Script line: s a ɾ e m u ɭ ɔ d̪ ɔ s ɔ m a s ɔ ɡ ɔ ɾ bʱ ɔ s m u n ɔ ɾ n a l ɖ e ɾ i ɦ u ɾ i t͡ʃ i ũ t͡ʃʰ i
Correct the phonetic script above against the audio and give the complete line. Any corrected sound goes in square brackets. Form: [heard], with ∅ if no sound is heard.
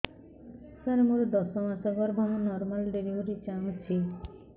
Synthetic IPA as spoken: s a ɾ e m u [ɾ] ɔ d̪ ɔ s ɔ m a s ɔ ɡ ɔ ɾ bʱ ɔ [∅] m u n ɔ ɾ [m] a l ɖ e ɾ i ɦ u ɾ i t͡ʃ [a] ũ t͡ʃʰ i